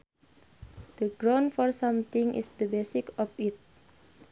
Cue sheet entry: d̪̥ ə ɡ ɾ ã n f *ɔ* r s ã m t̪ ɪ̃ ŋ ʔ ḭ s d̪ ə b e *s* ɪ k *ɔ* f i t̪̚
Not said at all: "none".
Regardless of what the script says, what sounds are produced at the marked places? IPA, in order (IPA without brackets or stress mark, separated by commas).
ɔ, s, ɔ